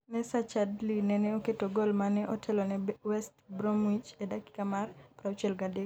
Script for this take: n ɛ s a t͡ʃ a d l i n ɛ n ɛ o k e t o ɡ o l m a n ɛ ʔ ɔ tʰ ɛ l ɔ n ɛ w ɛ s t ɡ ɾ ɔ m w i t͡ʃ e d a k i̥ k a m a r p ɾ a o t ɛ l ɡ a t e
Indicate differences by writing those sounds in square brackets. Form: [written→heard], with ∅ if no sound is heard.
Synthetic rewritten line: n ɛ s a t͡ʃ a d l i n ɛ n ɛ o k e t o ɡ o l m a n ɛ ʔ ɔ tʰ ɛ l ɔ n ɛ w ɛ s t [ɡ→b] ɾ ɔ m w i t͡ʃ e d a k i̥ k a m a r p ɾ a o [t→t͡ʃ] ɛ l ɡ a [t→d] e

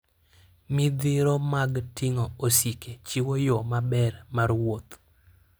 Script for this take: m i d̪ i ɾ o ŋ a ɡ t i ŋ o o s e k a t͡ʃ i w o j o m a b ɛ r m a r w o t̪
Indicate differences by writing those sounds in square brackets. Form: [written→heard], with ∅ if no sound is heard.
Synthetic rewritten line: m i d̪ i ɾ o [ŋ→m] a ɡ t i ŋ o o s [e→i] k [a→e] t͡ʃ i w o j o m a b ɛ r m a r w o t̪

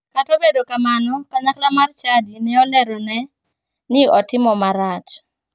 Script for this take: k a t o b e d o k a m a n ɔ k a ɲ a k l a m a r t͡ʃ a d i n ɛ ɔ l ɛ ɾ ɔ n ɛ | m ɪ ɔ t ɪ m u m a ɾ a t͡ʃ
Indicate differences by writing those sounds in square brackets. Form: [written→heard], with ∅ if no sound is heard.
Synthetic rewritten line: k a t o b e d o k a m a n ɔ k a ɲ a k l a m a r t͡ʃ a d i n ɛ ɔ l ɛ ɾ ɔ n ɛ | [m→n] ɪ ɔ t ɪ m [u→ɔ] m a ɾ a t͡ʃ

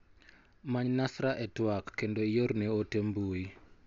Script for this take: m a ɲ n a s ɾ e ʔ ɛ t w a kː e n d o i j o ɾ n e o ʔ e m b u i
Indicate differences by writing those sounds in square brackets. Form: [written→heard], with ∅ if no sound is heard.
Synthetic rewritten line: m a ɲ n a s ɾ [e→a] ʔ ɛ t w a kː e n d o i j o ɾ n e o [ʔ→t] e m b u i

